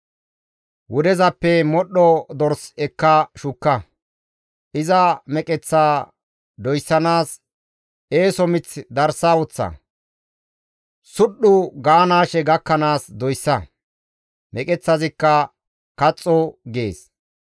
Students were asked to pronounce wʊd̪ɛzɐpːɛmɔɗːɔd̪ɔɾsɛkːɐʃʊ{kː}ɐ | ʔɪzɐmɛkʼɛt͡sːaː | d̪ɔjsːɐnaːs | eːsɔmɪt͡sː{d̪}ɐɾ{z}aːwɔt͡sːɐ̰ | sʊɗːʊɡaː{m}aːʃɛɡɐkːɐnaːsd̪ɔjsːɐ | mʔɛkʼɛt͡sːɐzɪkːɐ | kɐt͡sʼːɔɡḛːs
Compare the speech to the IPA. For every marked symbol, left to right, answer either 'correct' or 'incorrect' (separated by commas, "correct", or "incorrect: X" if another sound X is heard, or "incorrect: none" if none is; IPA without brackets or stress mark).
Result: correct, correct, incorrect: s, incorrect: n